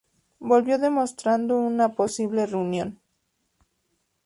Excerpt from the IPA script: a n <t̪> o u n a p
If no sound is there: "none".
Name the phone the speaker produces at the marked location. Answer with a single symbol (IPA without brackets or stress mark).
d̪